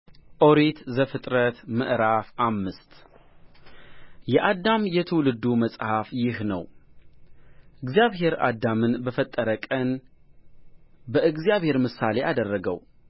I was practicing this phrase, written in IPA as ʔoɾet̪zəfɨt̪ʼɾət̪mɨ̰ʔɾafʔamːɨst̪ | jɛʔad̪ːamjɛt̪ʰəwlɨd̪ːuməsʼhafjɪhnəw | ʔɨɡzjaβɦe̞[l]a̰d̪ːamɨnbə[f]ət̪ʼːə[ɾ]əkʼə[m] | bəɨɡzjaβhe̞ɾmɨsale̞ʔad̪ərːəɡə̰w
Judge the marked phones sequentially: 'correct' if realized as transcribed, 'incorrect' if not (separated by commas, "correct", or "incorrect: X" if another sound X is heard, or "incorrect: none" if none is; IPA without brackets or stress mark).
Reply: incorrect: ɾ, correct, correct, incorrect: n